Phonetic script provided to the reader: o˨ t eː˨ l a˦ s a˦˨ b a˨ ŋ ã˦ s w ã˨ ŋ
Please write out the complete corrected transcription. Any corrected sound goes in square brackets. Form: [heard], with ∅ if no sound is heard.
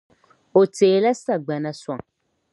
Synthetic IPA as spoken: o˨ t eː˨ l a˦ s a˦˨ [ɡ͡b] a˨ [n] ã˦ s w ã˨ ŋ